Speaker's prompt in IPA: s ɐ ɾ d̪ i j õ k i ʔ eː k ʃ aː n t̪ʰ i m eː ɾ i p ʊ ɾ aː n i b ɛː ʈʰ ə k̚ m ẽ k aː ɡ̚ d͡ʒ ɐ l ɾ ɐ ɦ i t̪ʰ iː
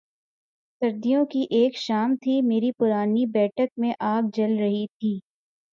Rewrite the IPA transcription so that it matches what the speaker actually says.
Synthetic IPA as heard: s ɐ ɾ d̪ i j õ k i ʔ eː k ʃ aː m t̪ʰ i m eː ɾ i p ʊ ɾ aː n i b ɛː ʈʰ ə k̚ m ẽ ʔ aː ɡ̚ d͡ʒ ɐ l ɾ ɐ ɦ i t̪ʰ iː